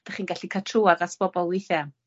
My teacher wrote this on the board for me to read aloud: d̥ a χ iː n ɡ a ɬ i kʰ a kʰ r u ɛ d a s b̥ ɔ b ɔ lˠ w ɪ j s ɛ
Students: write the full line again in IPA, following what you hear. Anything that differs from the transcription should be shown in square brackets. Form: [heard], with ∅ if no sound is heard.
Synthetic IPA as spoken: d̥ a χ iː n ɡ a ɬ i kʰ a [tʰ] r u [a] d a s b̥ ɔ b ɔ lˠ w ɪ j [θ] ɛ